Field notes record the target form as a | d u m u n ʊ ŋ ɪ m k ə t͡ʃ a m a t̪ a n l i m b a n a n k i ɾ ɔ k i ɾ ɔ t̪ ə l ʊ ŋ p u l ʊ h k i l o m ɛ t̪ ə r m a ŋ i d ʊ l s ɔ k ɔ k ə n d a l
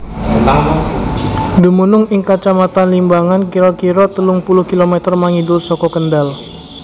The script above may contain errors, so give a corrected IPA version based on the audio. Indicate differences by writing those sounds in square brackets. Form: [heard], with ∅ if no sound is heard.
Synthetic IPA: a | d u m u n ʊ ŋ ɪ [ŋ] k [a] t͡ʃ a m a t̪ a n l i m b a [ŋ] a n k i ɾ ɔ k i ɾ ɔ t̪ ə l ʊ ŋ p u l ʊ h k i l o m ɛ t̪ ə r m a ŋ i d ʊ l s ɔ k ɔ k ə n d a l